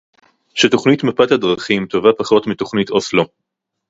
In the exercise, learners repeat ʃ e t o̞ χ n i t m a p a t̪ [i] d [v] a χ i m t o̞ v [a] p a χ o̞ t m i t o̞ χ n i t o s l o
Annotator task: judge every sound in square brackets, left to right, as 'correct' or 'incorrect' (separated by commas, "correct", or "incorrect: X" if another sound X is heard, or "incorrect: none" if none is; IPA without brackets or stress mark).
incorrect: a, incorrect: ʁ, correct